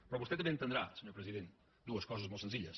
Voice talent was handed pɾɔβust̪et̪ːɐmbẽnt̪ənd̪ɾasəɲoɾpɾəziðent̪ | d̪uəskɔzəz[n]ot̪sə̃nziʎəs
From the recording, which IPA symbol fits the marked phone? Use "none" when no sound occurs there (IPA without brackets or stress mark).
m